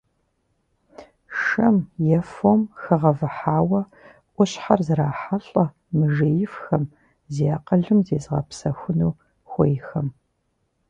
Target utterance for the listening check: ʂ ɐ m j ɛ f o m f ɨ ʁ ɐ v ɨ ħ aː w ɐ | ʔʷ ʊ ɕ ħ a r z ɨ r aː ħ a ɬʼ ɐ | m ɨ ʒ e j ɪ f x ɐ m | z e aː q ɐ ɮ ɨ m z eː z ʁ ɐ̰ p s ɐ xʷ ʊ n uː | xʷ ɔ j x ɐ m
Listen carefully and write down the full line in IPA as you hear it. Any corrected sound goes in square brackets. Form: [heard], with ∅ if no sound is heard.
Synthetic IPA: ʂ ɐ m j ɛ f o m [x] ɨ ʁ ɐ v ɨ ħ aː w ɐ | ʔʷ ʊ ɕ ħ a r z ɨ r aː ħ a ɬʼ ɐ | m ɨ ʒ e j ɪ f x ɐ m | z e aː q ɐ ɮ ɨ m z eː z ʁ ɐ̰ p s ɐ xʷ ʊ n uː | xʷ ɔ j x ɐ m